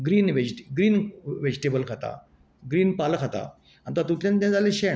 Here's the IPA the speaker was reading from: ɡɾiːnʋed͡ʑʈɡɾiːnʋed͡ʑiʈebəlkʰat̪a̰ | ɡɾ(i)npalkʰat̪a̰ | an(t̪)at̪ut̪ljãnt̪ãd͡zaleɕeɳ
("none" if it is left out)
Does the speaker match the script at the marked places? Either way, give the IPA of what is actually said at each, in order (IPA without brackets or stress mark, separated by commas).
iː, t̪